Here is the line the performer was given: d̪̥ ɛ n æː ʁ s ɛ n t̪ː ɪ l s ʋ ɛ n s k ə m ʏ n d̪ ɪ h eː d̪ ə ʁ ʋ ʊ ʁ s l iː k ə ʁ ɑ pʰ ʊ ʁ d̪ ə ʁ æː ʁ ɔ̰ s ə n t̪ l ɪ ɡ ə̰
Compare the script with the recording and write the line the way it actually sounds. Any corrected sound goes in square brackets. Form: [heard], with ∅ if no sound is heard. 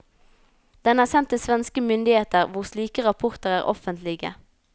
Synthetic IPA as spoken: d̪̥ ɛ n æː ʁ s ɛ n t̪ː ɪ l s ʋ ɛ n s k ə m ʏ n d̪ ɪ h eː [t̪] ə ʁ ʋ ʊ ʁ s l iː k ə ʁ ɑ pʰ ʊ ʁ [t̪] ə ʁ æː ʁ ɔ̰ [f] ə n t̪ l ɪ ɡ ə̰